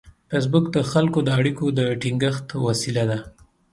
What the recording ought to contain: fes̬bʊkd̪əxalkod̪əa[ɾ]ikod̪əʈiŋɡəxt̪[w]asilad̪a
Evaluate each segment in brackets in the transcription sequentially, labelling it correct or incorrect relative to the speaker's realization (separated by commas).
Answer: incorrect, correct